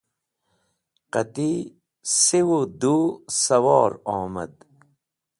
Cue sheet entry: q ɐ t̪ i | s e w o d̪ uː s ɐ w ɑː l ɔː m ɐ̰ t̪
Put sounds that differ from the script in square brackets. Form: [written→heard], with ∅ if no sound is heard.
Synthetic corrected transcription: q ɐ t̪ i | s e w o d̪ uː s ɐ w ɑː [l→ɾ] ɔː m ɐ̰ [t̪→d̪]